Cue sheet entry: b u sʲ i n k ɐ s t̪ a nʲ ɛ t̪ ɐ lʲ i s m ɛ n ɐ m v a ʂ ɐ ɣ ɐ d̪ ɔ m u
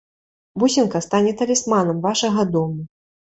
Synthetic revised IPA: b u sʲ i n k ɐ s t̪ a nʲ ɛ t̪ ɐ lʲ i s m a n ɐ m v a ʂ ɐ ɣ ɐ d̪ ɔ m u